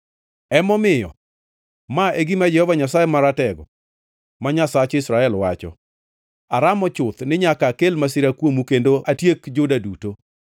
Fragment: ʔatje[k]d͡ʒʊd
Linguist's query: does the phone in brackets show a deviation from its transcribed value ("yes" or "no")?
no